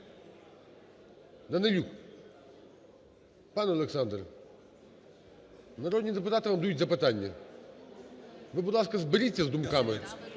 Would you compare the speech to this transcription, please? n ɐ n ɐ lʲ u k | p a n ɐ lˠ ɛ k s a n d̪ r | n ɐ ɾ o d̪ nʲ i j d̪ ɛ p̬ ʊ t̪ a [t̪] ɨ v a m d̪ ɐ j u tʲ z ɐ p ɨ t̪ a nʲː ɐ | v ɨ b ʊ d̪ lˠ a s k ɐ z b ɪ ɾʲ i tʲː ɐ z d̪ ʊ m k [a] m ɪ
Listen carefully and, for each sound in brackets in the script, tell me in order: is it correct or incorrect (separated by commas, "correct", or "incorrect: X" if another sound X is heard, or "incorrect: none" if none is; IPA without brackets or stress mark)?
correct, correct